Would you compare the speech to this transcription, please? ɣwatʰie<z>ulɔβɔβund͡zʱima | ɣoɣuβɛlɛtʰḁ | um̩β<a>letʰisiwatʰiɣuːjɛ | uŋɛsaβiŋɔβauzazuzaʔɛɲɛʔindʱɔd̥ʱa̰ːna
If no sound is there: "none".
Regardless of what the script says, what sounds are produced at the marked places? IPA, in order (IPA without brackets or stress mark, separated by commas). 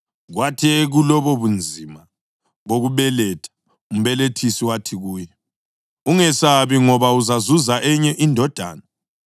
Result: ɣ, ɛ